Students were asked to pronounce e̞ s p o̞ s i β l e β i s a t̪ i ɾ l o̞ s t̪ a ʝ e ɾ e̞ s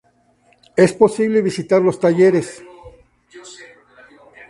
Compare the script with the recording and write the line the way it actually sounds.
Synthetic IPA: e̞ s p o̞ s i β l e β i s i t̪ a ɾ l o̞ s t̪ a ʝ e ɾ e̞ s